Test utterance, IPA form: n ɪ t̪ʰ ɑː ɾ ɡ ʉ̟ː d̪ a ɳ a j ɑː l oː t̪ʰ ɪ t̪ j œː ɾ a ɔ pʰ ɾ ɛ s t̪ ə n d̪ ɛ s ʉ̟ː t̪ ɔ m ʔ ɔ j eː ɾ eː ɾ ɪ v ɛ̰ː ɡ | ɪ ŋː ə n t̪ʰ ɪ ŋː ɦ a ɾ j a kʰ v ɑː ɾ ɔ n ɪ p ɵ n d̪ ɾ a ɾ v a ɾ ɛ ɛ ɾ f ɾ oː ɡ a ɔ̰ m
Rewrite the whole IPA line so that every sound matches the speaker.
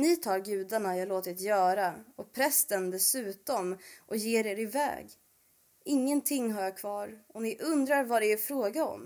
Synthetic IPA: n ɪ t̪ʰ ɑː ɾ ɡ ʉ̟ː d̪ a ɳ a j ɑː l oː t̪ ɪ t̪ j œː ɾ a ɔ pʰ ɾ ɛ s t̪ ə n d̪ ɛ s ʉ̟ː t̪ ɔ m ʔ ɔ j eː ɾ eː ɾ ɪ v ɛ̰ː ɡ | ɪ ŋː ə n t̪ʰ ɪ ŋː ɦ a ɾ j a kʰ v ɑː ɾ ɔ n ɪ ʔ ɵ n d̪ ɾ a ɾ v a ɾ ɛ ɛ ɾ f ɾ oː ɡ a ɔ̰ m